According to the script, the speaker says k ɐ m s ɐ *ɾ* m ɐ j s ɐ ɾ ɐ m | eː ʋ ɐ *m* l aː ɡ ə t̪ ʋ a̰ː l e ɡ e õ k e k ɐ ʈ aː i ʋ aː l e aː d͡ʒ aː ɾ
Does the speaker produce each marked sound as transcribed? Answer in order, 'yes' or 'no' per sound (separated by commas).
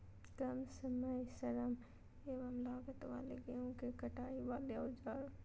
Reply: no, yes